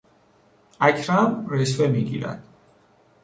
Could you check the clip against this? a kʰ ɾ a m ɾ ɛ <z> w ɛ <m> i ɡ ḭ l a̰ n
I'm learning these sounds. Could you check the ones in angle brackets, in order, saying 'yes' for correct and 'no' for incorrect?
no, yes

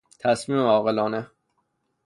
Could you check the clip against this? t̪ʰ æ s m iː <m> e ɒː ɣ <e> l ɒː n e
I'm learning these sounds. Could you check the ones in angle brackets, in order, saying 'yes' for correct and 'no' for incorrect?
yes, yes

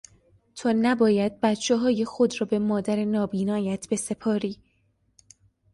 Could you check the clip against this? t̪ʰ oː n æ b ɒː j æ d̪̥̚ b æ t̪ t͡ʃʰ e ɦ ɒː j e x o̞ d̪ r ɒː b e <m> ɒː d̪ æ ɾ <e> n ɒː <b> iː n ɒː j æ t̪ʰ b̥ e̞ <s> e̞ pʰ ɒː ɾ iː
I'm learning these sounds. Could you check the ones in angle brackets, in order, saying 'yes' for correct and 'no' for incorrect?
yes, yes, yes, yes

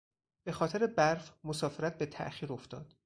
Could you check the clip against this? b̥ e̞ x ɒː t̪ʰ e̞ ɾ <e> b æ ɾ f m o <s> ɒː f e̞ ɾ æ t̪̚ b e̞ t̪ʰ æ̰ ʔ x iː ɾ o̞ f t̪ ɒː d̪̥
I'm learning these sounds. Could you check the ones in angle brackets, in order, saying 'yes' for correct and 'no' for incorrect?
yes, yes

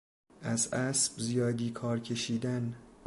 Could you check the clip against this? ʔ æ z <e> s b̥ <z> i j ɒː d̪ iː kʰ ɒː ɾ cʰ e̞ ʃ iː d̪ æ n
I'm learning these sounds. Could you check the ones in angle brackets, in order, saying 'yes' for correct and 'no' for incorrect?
no, yes

